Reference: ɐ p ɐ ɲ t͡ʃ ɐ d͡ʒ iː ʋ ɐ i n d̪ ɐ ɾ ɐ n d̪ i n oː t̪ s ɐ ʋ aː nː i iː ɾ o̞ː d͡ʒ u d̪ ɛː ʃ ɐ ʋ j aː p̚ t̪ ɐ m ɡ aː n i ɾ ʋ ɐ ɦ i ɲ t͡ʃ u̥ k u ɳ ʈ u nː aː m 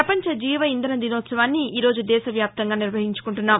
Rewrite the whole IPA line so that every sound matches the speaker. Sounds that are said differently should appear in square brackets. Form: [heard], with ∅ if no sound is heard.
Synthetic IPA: ɐ p ɐ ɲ t͡ʃ ɐ d͡ʒ iː ʋ ɐ i n d̪ ɐ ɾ ɐ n d̪ i n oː t̪ s ɐ ʋ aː nː i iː ɾ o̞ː d͡ʒ u d̪ ɛː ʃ ɐ ʋ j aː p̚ t̪ ɐ [ŋ] ɡ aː n i ɾ ʋ ɐ ɦ i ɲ t͡ʃ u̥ k u ɳ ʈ u nː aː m